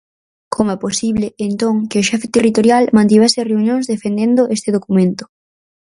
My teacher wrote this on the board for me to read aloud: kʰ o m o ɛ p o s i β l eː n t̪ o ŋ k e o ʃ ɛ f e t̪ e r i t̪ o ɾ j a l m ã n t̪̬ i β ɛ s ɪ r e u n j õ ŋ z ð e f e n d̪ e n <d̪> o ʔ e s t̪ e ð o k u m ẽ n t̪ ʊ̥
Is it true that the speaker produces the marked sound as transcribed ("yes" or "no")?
yes